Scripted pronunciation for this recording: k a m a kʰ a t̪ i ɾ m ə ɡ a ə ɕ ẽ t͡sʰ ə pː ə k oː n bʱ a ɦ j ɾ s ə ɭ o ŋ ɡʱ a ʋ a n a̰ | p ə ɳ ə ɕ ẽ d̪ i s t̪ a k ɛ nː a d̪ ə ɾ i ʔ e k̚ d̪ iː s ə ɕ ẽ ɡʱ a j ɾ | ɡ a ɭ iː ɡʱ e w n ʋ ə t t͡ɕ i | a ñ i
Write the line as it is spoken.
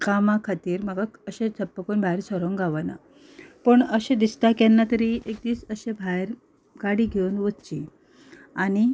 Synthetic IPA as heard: k a m a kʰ a t̪ iː ɾ m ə ɡ a ə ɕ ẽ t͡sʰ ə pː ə k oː n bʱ a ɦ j ɾ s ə ɾ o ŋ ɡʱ a ʋ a n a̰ | p ə ɳ ə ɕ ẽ d̪ i s t̪ a k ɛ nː a t̪ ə ɾ i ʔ e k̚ d̪ iː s ə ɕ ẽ bʱ a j ɾ | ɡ a ɽ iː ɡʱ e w n ʋ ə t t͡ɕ i | a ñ i